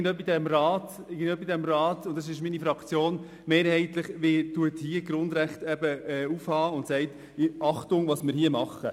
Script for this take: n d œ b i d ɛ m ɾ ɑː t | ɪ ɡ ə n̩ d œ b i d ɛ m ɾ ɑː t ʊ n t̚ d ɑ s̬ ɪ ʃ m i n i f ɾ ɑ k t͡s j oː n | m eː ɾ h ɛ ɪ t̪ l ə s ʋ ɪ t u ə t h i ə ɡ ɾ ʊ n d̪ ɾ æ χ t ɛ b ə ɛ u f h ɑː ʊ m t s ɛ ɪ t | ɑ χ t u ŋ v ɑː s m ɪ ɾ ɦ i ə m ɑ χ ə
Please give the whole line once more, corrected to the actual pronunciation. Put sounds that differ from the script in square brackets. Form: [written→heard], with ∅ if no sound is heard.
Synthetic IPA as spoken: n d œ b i d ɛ m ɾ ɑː t | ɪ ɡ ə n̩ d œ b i d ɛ m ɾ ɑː t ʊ n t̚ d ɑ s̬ ɪ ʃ m i n i f ɾ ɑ k t͡s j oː n | m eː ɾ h ɛ ɪ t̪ l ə [s→χ] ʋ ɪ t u ə t h i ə ɡ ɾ ʊ n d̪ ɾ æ χ t ɛ b ə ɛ u f h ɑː ʊ [m→n] t s ɛ ɪ t | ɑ χ t [u→ʊ] ŋ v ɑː s m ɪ ɾ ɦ i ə m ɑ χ ə